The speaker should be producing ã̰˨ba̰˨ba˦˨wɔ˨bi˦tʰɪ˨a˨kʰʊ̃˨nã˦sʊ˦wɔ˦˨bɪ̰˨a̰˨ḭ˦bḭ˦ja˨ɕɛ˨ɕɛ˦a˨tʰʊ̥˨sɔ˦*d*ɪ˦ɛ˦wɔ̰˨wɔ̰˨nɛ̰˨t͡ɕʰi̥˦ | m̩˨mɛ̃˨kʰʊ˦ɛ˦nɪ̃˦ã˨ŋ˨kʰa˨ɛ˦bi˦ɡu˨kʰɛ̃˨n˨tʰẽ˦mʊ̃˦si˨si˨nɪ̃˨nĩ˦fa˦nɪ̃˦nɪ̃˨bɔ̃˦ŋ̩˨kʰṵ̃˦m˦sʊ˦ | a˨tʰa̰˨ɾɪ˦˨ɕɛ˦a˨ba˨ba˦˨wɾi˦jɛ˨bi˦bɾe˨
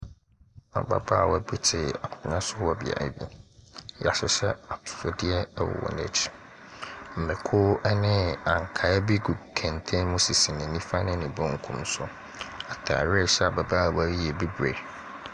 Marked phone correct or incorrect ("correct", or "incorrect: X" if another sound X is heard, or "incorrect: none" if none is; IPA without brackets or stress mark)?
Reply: correct